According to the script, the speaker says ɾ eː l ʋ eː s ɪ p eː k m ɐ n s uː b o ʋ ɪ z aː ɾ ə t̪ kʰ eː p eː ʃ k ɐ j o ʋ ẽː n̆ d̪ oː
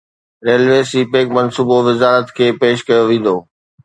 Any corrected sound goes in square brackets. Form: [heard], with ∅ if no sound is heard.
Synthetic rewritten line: ɾ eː l ʋ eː s [i] p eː k m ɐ n s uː b o ʋ ɪ z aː ɾ ə t̪ kʰ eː p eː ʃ k ɐ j o ʋ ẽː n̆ d̪ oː